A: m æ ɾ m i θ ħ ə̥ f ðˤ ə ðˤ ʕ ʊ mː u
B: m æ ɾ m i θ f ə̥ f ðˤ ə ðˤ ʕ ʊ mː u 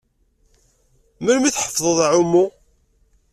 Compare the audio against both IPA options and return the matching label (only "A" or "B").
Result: A